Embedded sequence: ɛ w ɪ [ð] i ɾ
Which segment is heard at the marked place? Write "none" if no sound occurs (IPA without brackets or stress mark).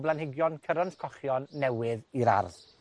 ð